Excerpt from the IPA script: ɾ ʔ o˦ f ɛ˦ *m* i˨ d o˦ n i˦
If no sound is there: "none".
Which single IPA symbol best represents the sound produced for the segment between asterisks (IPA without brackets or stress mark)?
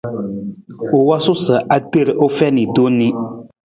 n